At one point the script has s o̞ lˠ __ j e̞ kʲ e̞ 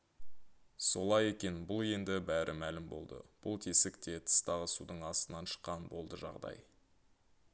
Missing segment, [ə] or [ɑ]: ɑ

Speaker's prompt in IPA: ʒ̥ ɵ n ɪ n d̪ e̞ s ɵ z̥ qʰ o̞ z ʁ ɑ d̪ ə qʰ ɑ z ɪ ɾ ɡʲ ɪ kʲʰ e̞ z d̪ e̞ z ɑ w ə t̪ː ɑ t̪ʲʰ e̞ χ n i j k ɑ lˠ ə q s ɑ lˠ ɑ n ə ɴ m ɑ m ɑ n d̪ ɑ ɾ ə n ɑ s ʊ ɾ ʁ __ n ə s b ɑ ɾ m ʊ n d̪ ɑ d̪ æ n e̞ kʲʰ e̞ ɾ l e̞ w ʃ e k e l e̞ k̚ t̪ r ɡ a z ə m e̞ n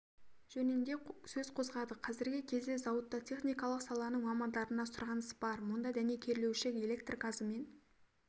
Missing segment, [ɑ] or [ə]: ɑ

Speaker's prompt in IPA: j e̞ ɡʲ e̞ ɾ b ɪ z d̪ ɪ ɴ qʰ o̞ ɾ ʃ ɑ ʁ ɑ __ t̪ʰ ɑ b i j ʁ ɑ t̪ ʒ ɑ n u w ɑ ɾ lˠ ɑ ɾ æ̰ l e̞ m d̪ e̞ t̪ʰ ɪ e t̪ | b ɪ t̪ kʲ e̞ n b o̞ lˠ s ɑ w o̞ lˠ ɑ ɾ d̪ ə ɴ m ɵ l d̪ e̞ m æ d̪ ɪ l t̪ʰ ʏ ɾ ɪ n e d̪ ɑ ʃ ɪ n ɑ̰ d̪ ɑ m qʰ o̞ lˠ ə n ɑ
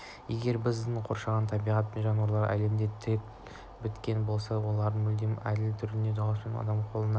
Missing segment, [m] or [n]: n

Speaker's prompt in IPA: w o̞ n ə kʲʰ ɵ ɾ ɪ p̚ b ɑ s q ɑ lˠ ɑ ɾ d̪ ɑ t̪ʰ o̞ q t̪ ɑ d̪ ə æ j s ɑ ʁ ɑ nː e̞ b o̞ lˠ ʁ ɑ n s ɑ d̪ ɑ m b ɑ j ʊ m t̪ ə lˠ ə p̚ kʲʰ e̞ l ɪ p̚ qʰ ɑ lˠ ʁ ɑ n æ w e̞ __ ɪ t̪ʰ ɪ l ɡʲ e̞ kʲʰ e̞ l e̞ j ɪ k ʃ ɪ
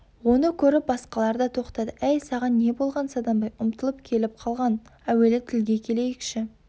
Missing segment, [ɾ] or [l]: l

